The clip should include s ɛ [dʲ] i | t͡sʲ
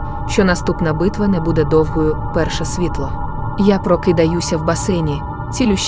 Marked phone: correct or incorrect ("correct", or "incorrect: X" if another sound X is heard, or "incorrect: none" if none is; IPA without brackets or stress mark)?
incorrect: nʲ